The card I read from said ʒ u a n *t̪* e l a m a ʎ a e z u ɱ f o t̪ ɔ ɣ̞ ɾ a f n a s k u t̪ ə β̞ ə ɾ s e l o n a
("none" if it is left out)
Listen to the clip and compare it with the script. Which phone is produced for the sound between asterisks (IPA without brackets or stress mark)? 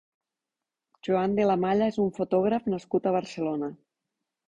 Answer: d̪